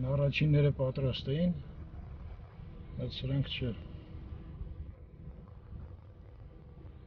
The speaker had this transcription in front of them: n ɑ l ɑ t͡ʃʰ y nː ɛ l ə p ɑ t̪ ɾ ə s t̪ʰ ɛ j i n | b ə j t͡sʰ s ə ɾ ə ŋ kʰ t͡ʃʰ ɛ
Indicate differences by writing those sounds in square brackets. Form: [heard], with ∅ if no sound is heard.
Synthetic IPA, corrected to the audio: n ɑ [r] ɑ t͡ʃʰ [i] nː ɛ [ɾ] ə p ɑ t̪ ɾ [ɑ] s [t̪] ɛ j i n | b [ɑ] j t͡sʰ s ə ɾ [ɑ] ŋ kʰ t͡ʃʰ ɛ